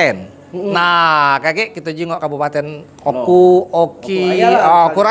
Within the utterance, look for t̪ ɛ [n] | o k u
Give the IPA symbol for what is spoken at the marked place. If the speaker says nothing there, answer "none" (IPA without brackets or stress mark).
n